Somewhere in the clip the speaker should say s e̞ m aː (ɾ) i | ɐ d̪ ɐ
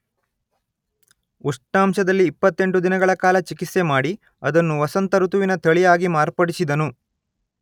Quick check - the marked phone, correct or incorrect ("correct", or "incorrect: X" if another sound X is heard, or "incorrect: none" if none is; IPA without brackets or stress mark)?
incorrect: ɽ